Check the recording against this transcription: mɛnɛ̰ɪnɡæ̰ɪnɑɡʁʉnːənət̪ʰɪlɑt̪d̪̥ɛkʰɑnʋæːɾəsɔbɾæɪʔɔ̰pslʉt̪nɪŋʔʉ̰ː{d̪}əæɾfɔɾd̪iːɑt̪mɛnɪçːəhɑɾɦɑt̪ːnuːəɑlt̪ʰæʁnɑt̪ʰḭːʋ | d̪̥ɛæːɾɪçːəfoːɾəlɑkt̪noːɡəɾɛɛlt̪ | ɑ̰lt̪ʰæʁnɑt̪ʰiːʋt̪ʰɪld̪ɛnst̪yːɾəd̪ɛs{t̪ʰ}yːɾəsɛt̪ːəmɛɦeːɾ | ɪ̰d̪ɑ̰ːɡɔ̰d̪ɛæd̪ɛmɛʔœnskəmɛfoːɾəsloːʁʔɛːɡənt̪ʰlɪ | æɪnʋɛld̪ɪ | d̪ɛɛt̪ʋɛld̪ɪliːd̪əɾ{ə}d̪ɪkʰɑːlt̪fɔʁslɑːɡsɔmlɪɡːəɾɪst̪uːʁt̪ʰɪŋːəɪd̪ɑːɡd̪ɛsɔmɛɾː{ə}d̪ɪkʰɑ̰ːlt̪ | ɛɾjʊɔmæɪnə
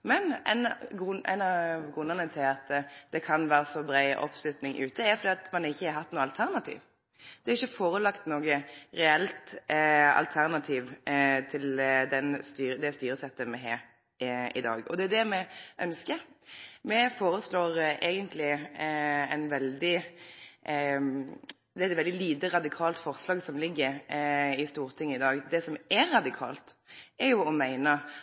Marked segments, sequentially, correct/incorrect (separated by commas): incorrect, incorrect, incorrect, incorrect